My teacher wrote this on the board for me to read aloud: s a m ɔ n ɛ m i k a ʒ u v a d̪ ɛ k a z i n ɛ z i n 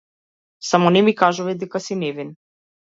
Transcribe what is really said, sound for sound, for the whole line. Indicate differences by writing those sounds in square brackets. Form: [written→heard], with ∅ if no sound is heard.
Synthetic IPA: s a m ɔ n ɛ m i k a ʒ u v [a→ɛ] d̪ ɛ k a [z→s] i n ɛ [z→v] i n